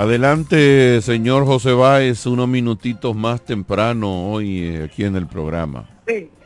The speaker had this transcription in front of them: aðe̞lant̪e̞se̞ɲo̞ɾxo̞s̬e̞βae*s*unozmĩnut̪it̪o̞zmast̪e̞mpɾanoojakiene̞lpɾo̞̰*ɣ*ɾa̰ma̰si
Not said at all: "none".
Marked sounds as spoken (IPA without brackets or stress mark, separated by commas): s, ɣ